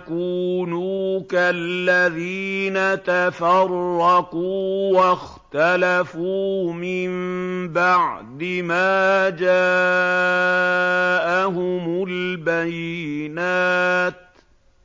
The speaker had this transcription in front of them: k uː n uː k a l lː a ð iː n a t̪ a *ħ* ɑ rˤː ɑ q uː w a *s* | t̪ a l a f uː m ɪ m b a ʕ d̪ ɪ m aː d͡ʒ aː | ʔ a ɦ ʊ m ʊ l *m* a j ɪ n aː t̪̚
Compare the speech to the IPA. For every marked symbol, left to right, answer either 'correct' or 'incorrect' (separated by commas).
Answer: incorrect, incorrect, incorrect